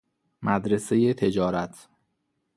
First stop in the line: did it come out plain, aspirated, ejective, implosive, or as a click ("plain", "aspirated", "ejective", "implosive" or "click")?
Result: plain